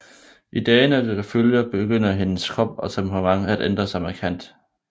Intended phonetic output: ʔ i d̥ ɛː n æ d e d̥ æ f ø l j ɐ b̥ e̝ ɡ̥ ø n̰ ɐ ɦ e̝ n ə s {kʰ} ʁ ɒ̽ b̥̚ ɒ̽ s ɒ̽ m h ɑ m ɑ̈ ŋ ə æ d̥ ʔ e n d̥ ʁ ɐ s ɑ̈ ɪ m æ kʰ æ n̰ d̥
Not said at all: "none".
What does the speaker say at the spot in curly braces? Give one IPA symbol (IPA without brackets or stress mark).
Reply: kʰ